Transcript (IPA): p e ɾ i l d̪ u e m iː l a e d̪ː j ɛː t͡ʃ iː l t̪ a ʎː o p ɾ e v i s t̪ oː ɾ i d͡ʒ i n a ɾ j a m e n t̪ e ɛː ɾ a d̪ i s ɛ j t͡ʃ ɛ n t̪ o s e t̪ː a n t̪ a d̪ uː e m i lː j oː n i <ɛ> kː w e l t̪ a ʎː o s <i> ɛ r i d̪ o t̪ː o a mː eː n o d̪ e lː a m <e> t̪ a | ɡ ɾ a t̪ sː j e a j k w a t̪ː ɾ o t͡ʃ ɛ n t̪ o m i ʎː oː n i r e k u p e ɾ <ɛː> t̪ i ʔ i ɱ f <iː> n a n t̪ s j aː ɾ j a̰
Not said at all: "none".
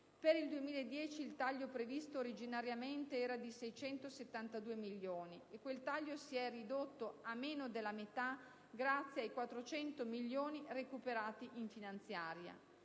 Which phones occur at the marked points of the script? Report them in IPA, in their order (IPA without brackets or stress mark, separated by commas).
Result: e, i, e, aː, i